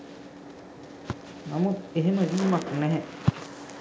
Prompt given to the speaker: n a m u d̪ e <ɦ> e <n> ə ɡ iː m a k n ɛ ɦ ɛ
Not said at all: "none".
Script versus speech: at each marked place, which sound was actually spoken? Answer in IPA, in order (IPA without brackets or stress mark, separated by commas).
ɦ, m